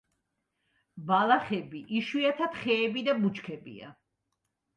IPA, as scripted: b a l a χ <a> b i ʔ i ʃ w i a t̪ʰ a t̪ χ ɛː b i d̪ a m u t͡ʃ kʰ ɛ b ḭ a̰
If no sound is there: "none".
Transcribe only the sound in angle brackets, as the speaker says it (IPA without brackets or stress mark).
ɛ